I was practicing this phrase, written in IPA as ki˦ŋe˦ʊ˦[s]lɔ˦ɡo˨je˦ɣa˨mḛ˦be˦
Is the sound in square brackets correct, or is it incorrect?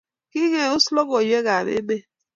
correct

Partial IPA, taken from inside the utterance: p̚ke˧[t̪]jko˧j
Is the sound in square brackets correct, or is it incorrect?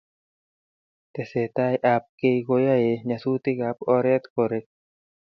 incorrect: none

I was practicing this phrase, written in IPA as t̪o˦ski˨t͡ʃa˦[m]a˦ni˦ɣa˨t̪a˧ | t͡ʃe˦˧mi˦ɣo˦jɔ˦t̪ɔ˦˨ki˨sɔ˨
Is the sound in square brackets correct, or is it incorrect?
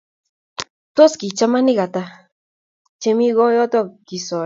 correct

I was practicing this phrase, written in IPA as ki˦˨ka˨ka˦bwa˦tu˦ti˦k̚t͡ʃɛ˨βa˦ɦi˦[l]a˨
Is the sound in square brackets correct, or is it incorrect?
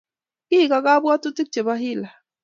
correct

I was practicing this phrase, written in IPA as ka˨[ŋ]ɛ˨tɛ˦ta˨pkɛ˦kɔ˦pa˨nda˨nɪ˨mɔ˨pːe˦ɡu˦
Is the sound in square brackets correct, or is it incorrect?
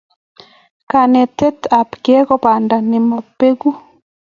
incorrect: n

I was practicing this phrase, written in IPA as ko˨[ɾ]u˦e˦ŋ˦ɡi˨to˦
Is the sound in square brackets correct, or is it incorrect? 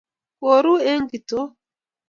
correct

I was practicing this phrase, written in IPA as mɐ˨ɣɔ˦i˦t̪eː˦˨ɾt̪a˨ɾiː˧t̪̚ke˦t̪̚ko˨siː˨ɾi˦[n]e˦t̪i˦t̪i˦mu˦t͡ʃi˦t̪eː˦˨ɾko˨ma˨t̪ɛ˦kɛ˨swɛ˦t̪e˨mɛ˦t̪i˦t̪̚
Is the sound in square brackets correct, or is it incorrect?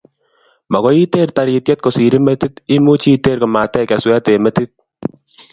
incorrect: m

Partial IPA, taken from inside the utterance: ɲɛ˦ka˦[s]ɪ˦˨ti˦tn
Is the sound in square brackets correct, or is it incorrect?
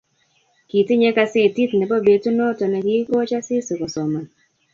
correct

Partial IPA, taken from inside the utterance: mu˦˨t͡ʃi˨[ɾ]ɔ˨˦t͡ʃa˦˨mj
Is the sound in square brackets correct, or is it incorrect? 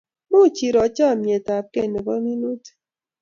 correct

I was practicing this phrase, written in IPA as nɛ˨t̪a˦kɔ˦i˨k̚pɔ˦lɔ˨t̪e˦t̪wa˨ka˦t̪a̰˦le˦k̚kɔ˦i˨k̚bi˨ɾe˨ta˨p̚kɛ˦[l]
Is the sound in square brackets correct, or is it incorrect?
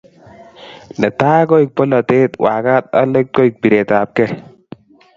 incorrect: none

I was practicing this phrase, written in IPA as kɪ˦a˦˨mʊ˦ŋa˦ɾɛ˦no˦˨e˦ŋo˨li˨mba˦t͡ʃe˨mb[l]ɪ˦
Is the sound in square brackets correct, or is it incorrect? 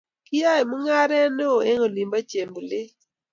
correct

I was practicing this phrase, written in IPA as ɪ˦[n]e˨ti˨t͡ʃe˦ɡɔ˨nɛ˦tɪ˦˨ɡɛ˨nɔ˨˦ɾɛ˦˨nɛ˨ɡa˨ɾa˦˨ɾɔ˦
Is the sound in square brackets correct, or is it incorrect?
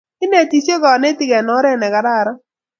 correct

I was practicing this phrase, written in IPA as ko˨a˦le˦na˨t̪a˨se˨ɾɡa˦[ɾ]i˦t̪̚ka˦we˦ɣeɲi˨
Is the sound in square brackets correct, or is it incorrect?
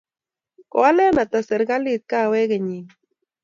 incorrect: l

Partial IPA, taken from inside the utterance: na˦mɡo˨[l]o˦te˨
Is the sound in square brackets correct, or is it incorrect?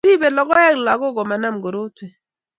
incorrect: ɾ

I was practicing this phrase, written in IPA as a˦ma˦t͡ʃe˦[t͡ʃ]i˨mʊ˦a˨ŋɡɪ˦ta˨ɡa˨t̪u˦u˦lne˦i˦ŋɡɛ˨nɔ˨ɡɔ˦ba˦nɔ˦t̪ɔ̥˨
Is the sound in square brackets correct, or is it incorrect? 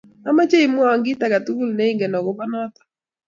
incorrect: none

